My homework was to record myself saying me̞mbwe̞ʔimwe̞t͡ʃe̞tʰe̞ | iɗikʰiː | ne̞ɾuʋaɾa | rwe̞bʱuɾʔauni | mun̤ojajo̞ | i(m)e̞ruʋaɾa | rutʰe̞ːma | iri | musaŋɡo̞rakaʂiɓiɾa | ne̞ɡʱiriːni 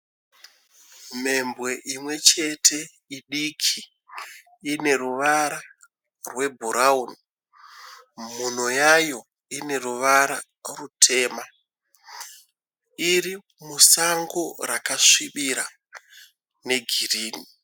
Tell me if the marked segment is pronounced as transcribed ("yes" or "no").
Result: no